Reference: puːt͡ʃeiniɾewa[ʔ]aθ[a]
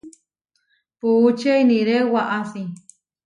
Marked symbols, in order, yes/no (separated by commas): yes, no